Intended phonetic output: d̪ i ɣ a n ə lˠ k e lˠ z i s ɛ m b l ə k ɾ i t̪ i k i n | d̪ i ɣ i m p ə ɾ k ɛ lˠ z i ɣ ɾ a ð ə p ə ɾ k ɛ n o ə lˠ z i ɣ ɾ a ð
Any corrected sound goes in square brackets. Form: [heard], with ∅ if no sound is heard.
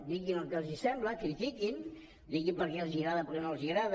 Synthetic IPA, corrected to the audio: d̪ i ɣ [i] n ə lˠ k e lˠ z i s ɛ m b l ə k ɾ i t̪ i k i n | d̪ i ɣ i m p ə ɾ k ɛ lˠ z i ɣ ɾ a ð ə p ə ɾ k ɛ n o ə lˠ z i ɣ ɾ a ð